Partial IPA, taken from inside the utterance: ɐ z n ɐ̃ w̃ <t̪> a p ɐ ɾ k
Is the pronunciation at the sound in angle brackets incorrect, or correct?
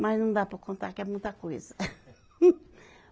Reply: incorrect: d̪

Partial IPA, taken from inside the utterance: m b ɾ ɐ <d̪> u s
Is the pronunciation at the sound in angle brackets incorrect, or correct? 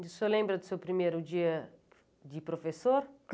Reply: correct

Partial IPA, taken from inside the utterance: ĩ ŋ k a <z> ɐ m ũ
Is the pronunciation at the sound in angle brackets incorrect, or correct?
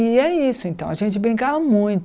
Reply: incorrect: v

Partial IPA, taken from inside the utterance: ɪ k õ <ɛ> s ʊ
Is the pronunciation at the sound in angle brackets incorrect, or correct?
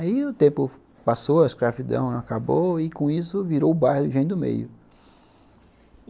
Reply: incorrect: i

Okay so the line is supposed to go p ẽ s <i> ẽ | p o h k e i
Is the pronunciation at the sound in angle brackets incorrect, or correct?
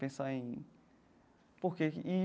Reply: incorrect: a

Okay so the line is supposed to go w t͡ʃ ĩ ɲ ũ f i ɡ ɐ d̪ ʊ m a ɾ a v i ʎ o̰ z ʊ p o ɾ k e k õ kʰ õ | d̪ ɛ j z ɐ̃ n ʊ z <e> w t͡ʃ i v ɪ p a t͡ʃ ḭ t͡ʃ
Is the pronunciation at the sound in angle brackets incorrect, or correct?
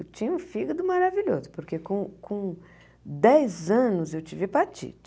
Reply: correct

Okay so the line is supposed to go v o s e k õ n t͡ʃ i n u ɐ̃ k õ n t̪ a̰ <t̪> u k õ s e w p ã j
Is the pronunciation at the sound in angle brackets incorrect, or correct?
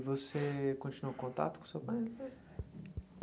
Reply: correct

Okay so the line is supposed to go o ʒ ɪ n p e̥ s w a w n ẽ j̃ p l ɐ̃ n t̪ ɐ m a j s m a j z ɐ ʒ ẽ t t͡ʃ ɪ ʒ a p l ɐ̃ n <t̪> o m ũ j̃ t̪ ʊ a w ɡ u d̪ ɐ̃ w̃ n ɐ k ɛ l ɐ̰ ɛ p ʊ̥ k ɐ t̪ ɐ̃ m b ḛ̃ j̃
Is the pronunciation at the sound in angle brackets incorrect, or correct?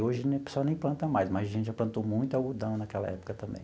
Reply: correct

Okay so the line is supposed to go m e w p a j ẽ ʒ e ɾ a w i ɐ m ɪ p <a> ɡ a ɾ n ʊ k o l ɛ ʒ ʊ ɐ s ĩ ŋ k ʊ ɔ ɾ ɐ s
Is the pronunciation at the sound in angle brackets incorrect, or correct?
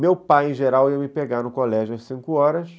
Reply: incorrect: e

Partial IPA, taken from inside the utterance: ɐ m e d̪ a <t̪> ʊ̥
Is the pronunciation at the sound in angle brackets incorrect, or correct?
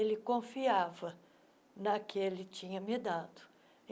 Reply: incorrect: d̪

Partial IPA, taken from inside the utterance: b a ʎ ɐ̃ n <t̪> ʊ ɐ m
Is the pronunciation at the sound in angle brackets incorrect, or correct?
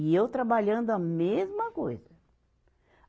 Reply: incorrect: d̪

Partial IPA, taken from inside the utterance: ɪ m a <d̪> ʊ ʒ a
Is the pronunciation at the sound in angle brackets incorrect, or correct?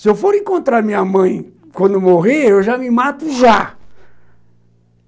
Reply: incorrect: t̪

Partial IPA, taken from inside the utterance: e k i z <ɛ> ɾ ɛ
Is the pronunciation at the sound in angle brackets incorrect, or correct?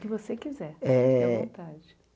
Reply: correct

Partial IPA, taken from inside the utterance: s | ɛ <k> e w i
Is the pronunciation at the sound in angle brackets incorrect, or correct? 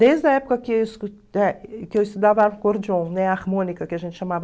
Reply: correct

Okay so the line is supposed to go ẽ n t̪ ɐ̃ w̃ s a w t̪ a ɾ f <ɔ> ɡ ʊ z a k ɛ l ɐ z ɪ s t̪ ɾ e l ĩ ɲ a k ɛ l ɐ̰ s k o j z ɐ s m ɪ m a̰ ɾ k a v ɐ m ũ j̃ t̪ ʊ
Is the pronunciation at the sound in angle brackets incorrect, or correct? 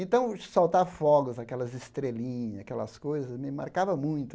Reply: correct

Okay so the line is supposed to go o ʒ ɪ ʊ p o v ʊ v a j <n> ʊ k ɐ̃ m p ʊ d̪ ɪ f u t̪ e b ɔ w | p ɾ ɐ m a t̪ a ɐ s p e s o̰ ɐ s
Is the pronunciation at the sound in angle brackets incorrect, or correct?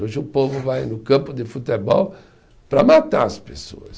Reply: correct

